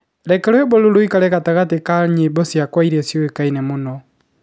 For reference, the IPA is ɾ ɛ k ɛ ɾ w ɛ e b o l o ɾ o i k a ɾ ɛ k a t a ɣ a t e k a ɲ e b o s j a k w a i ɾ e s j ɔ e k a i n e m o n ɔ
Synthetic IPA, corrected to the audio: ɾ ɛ k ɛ ɾ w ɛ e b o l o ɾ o i k a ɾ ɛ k a t a ɣ a t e k a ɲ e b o s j a k w a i ɾ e s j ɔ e k a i n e m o n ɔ